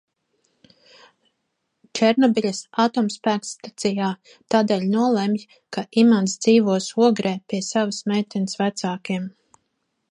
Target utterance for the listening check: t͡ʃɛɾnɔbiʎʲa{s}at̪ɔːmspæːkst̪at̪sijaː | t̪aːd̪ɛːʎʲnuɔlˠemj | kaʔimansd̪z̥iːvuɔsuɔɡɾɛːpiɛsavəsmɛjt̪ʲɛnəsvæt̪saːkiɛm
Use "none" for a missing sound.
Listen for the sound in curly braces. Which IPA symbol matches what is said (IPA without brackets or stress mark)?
s